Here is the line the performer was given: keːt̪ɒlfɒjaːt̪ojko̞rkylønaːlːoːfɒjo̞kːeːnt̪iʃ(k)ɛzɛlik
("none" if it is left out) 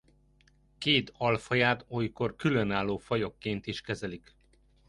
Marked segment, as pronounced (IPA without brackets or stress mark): k